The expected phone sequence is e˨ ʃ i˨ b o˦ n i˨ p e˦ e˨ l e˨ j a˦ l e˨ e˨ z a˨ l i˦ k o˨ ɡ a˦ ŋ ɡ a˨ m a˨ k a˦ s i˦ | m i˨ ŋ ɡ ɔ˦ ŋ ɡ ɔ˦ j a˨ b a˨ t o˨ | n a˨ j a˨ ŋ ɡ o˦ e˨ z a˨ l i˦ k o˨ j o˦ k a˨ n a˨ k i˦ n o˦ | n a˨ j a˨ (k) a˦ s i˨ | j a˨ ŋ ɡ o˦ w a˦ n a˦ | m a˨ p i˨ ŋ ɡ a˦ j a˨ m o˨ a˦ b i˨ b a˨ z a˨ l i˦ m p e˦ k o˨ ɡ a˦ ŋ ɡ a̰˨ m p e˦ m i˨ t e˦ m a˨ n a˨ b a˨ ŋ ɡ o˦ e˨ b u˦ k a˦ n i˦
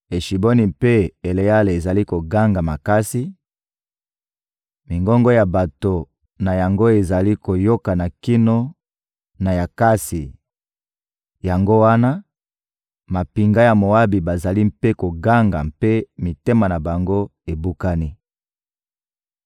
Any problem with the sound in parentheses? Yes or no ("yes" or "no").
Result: no